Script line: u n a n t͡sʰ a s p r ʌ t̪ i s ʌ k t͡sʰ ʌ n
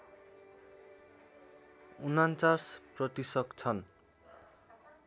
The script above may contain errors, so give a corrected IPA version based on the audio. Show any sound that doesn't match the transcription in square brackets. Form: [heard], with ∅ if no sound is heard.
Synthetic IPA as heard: u n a n [t͡s] a s p r ʌ t̪ i s ʌ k t͡sʰ ʌ n